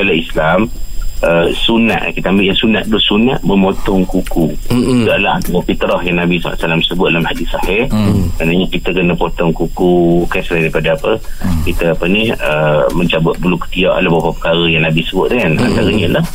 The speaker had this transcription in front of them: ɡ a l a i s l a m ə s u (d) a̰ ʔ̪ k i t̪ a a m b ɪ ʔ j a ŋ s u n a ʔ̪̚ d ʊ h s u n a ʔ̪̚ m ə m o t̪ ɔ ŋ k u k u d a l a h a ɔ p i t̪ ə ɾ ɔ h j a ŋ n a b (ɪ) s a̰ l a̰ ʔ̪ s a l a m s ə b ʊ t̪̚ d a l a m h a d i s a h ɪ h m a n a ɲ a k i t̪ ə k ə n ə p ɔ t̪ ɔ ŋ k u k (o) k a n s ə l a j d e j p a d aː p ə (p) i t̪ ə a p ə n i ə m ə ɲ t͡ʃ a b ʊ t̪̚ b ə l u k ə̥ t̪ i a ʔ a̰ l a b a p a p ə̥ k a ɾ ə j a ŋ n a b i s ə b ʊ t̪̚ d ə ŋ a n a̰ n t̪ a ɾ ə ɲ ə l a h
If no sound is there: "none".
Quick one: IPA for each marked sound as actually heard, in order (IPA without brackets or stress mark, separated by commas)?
n, i, u, k